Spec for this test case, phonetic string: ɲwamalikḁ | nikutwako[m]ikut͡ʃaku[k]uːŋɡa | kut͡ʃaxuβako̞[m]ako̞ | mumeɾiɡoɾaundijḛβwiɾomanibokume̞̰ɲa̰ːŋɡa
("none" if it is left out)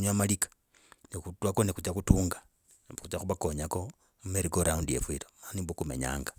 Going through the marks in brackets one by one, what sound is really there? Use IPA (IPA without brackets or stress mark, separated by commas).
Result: n, t, ɲ